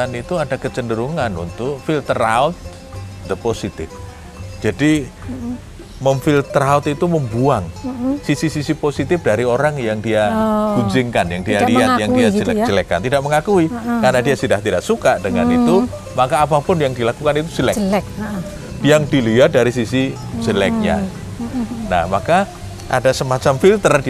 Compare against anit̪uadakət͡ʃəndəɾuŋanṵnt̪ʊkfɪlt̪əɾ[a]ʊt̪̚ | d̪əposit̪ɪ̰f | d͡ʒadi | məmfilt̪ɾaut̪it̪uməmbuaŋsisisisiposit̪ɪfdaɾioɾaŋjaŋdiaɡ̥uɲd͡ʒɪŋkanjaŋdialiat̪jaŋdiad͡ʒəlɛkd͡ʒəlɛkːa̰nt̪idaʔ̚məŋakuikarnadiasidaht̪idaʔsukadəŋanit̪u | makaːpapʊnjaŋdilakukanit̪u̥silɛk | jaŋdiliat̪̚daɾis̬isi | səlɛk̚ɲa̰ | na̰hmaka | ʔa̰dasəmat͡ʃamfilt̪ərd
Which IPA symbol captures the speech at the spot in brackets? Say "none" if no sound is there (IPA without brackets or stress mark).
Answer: a